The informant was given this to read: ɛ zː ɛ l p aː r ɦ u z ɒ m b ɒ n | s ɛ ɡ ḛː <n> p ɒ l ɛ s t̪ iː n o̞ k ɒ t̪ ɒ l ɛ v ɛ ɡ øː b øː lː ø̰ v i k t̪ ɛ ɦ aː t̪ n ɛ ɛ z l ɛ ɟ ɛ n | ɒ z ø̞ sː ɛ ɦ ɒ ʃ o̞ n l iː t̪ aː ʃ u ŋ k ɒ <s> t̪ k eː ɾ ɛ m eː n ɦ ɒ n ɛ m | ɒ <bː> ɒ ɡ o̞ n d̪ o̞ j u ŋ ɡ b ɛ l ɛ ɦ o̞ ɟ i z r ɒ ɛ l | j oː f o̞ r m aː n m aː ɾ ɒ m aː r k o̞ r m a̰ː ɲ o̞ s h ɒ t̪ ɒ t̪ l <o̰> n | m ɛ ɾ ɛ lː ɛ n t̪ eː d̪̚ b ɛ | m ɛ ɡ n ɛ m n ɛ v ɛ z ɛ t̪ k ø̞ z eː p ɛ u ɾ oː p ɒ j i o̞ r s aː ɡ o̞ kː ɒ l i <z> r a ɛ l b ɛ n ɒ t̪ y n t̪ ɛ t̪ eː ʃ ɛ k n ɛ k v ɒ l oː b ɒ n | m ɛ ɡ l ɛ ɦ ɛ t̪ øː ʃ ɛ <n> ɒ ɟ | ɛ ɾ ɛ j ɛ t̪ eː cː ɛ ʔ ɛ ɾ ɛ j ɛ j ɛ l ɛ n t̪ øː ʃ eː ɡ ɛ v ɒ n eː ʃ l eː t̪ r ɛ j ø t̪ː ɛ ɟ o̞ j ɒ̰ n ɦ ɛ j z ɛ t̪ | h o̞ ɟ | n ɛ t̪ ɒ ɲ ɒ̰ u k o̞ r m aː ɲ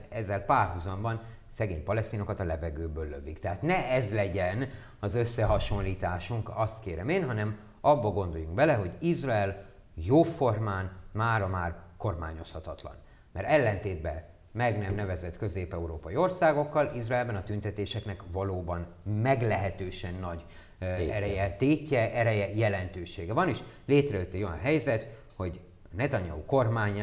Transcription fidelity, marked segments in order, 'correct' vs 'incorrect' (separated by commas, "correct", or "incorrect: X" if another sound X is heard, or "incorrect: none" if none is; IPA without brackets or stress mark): incorrect: ɲ, correct, correct, incorrect: ɒ̰, correct, incorrect: nː